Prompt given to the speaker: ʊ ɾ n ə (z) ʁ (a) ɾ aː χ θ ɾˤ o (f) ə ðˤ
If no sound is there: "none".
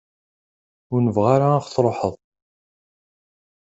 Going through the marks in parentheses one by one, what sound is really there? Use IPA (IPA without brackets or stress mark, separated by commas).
v, a, ħ